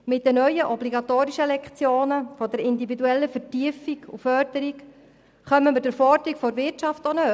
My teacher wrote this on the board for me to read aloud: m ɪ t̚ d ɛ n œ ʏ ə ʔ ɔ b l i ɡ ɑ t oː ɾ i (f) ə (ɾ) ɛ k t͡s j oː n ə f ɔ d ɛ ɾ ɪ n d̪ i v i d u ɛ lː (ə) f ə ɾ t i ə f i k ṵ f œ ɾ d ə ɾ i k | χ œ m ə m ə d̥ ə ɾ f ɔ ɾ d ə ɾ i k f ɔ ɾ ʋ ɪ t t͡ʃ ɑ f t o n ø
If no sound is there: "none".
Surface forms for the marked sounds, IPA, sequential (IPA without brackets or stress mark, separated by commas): ʃ, l, ə